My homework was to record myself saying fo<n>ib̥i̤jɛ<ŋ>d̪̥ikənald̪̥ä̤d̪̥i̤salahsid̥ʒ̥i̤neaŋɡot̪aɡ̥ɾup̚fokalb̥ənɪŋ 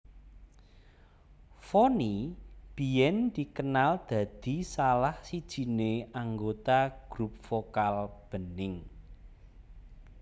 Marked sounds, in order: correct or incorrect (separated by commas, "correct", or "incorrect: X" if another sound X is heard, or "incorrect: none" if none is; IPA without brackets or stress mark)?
correct, incorrect: n